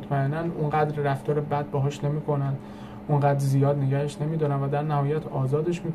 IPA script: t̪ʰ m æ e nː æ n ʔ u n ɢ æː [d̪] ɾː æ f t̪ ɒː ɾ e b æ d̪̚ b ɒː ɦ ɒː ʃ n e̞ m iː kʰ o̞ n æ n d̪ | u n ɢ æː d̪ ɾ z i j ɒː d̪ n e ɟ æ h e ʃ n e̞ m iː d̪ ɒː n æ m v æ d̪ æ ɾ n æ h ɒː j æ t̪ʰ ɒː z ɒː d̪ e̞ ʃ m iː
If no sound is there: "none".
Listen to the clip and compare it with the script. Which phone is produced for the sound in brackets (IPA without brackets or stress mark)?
d̪